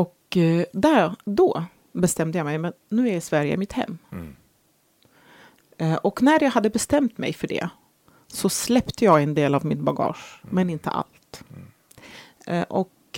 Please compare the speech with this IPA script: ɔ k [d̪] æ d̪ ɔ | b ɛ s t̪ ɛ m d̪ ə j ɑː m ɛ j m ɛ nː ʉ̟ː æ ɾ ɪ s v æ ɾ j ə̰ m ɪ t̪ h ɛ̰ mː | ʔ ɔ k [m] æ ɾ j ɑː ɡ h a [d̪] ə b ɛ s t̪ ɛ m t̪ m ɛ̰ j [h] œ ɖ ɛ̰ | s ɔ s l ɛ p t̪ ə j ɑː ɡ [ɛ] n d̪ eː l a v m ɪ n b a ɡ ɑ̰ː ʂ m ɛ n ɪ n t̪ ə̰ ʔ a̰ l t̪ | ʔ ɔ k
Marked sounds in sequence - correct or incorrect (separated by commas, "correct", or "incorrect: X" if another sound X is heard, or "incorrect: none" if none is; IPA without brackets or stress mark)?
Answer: correct, incorrect: n, incorrect: d̪ː, incorrect: f, correct